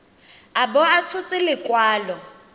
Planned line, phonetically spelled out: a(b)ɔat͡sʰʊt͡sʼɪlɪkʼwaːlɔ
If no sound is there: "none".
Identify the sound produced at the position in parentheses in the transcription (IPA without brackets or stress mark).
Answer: b